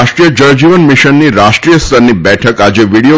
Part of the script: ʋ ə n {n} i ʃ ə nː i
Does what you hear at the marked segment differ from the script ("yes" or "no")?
yes